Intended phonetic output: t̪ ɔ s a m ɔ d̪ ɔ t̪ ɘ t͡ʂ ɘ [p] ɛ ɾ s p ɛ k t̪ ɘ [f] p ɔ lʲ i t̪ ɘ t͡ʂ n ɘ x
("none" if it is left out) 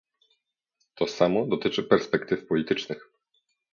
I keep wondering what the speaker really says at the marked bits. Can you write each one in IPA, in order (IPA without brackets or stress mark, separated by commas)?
p, f